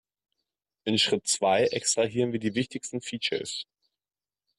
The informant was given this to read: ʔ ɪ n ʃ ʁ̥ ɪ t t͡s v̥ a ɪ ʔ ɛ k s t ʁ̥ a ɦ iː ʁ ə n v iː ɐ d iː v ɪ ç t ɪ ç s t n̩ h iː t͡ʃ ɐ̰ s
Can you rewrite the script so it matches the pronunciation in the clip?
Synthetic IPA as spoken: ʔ ɪ n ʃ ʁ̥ ɪ t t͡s v̥ a ɪ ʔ ɛ k s t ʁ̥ a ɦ iː ʁ ə n v iː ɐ d iː v ɪ ç t ɪ ç s t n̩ f iː t͡ʃ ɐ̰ s